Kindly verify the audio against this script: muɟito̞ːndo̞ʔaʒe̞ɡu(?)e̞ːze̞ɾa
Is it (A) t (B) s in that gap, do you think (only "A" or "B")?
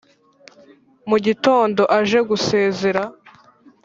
B